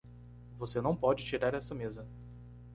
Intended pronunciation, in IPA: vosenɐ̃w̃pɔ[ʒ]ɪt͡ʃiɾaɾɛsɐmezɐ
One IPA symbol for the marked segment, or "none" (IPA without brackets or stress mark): d͡ʒ